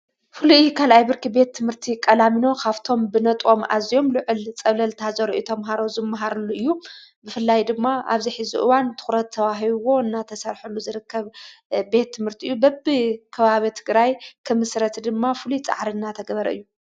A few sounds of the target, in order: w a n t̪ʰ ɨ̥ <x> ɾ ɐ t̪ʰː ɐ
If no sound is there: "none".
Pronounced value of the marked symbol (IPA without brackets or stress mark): x